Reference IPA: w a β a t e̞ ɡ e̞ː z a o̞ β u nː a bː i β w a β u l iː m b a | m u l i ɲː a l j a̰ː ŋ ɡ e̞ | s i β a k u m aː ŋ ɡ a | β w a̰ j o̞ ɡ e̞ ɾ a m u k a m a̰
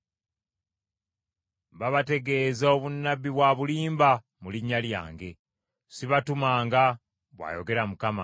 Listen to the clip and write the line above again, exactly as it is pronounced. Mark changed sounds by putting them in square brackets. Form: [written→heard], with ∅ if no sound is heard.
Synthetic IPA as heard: [w→β] a β a t e̞ ɡ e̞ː z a o̞ β u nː a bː i β w a β u l iː m b a | m u l i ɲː a l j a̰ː ŋ ɡ e̞ | s i β a [k→t] u m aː ŋ ɡ a | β w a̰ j o̞ ɡ e̞ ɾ a m u k a m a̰